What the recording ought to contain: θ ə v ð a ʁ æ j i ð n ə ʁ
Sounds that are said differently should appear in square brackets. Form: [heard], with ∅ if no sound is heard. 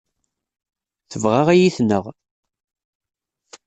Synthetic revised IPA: θ ə v [ʁ] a ʁ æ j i [θ] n ə ʁ